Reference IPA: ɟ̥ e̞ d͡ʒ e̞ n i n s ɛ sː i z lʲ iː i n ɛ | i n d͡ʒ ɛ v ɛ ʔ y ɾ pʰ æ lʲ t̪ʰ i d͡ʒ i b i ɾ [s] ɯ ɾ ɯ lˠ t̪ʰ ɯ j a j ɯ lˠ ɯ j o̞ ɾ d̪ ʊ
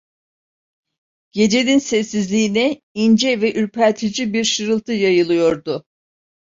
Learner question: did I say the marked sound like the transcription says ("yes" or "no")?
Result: no